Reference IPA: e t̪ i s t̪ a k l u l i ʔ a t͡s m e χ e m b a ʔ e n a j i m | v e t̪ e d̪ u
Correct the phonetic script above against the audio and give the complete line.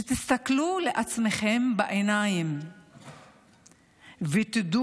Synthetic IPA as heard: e t̪ i s t̪ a k l u l e ʔ a t͡s m e χ e m b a ʔ e n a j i m | v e t̪ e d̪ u